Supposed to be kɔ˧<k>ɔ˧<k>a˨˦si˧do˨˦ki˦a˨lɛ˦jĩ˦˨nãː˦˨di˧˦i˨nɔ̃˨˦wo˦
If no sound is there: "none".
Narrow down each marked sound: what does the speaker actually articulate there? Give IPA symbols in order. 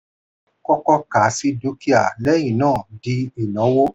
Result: k, k

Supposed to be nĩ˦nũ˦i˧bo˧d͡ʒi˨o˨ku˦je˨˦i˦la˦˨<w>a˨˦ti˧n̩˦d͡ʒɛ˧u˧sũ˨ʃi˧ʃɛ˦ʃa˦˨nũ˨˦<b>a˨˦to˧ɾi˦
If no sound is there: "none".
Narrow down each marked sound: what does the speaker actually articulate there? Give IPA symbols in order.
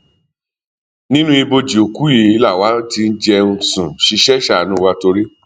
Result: w, w

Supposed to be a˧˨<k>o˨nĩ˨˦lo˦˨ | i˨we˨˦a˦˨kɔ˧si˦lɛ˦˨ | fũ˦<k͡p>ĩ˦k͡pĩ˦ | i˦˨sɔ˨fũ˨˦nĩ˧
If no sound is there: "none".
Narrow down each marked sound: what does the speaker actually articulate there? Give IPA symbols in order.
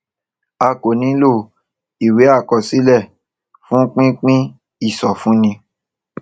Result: k, k͡p

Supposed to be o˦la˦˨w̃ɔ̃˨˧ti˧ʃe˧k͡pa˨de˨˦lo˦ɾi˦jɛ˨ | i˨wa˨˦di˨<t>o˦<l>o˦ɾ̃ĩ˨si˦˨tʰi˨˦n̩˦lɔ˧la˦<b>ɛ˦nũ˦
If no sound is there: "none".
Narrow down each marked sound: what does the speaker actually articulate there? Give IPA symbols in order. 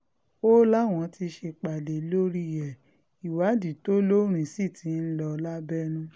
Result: t, l, b

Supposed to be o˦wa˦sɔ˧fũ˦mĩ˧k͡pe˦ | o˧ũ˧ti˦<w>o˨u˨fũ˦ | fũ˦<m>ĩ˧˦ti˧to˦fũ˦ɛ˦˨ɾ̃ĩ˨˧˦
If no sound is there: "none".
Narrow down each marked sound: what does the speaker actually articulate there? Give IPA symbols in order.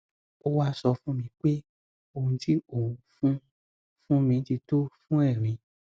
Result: none, m

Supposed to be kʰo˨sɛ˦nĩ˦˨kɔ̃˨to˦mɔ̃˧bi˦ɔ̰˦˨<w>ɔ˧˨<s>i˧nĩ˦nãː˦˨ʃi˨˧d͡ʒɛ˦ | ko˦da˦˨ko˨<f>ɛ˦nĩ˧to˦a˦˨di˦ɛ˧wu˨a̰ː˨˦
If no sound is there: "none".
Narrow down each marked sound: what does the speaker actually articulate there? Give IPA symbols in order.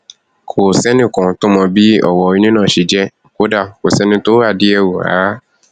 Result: w, none, s

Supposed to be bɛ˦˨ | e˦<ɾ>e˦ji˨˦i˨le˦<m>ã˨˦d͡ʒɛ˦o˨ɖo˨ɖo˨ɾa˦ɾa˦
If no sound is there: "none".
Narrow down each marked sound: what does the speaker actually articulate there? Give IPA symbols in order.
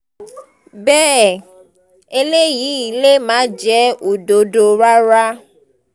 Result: l, m

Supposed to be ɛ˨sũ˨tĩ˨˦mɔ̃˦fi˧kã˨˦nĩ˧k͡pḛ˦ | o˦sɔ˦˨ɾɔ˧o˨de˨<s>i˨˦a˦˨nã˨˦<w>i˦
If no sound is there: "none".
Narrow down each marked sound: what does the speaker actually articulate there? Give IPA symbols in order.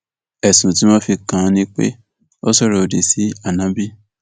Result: s, b

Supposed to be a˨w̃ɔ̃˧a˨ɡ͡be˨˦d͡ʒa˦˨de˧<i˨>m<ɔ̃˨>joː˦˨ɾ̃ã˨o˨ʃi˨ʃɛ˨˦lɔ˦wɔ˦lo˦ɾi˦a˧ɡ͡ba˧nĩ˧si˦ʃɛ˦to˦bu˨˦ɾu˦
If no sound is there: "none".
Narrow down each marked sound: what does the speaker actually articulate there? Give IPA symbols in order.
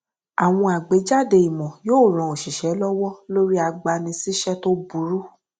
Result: i˨, ɔ̃˨

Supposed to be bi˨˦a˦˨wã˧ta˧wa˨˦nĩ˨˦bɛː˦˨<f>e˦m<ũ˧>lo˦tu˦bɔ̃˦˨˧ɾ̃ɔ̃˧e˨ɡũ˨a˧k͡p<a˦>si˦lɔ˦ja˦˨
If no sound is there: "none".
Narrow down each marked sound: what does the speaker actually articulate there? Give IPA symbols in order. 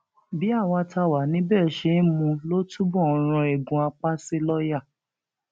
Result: ʃ, ũ˧, a˦

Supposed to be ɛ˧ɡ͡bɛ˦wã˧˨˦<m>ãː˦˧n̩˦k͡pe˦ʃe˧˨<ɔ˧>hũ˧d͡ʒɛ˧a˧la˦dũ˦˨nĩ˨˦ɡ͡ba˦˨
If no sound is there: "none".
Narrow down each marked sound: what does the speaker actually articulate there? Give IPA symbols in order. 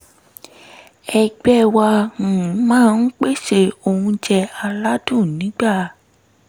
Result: m, o˧

